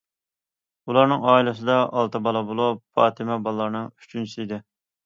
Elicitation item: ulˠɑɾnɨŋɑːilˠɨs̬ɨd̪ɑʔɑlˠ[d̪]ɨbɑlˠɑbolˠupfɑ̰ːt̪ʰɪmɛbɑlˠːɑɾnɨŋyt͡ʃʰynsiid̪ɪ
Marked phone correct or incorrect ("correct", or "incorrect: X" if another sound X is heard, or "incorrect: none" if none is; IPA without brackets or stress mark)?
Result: incorrect: t̪